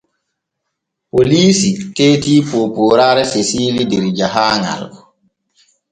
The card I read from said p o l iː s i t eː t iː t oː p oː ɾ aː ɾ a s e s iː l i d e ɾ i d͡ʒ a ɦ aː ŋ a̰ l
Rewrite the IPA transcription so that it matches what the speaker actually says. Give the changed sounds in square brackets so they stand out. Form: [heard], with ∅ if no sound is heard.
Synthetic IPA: p o l iː s i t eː t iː [p] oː p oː ɾ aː ɾ [ɛ] s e s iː l i d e ɾ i d͡ʒ a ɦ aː ŋ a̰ l